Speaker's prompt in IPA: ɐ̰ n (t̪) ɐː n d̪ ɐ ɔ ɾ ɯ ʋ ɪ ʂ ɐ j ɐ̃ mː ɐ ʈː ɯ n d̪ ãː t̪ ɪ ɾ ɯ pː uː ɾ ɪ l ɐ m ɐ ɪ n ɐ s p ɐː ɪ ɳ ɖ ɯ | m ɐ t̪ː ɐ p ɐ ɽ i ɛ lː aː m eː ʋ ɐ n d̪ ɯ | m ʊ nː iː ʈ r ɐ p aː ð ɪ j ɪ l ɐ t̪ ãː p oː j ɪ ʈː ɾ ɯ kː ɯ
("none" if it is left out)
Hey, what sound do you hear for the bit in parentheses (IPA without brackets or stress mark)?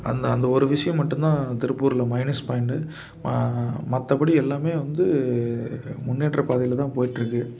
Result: d̪